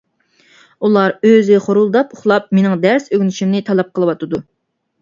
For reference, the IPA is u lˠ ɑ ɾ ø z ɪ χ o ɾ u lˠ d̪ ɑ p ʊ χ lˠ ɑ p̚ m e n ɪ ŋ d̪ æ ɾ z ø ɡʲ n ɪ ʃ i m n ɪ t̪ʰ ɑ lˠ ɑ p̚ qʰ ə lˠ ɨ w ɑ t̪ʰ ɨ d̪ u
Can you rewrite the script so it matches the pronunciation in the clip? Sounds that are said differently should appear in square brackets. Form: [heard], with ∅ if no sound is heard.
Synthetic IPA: u lˠ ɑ ɾ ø z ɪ χ o ɾ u lˠ d̪ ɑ p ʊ χ lˠ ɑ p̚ m e n ɪ ŋ d̪ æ ɾ [s] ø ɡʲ n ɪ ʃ i m n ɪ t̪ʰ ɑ lˠ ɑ p̚ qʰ ə lˠ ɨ w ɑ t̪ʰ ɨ d̪ u